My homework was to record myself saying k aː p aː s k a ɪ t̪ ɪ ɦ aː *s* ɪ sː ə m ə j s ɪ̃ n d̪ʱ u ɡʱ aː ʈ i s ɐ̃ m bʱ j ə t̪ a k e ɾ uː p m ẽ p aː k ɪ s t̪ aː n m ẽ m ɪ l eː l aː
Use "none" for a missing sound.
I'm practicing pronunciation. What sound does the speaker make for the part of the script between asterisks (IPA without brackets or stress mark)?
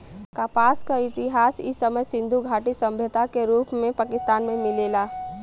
s